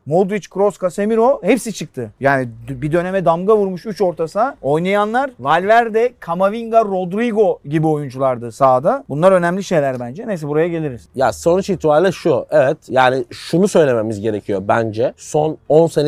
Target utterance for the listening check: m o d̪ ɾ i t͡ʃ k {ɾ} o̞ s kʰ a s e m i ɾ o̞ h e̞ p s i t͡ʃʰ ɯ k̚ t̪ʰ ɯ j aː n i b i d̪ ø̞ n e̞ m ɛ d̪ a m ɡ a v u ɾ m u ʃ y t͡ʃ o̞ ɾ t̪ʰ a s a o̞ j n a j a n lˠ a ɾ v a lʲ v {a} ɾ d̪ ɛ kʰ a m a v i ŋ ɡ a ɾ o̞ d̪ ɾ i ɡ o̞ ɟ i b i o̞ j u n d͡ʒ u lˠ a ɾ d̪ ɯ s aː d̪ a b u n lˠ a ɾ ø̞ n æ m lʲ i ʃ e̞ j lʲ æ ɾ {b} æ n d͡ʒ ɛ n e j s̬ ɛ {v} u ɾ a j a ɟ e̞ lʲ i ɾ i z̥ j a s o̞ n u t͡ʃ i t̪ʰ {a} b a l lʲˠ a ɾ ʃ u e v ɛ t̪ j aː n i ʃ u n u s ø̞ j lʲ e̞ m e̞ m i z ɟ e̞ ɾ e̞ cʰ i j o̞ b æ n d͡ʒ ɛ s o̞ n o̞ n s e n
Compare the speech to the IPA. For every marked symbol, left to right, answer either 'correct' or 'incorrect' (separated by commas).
correct, incorrect, correct, incorrect, incorrect